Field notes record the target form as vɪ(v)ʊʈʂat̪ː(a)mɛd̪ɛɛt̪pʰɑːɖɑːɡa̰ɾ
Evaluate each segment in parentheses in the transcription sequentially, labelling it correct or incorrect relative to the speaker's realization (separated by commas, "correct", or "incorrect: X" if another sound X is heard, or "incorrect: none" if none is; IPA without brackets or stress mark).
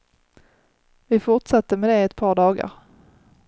incorrect: f, incorrect: ə